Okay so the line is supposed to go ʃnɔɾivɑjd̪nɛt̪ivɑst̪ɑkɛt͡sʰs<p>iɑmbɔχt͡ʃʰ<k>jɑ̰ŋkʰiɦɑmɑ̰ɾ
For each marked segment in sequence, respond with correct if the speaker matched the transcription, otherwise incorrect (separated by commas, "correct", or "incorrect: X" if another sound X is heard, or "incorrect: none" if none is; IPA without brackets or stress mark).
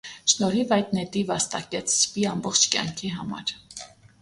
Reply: correct, correct